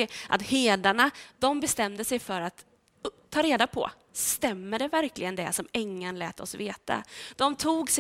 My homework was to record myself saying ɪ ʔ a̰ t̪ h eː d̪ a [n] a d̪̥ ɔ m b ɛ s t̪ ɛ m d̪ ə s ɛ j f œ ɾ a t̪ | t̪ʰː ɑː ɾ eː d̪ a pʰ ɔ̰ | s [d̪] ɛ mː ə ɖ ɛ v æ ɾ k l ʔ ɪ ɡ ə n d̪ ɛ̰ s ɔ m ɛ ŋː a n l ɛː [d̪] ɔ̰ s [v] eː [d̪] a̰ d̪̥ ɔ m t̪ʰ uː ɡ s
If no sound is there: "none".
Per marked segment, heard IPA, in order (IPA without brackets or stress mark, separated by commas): ɳ, t̪, t̪, v, t̪